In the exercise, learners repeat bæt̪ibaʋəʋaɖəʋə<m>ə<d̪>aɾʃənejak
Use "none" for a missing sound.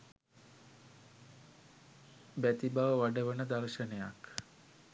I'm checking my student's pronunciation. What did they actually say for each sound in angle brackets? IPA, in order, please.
n, d̪

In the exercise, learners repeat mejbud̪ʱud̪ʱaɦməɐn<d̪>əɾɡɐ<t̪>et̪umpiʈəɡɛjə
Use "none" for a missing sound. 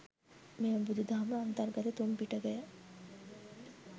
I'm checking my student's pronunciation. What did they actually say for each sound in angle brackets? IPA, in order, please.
t̪, t̪

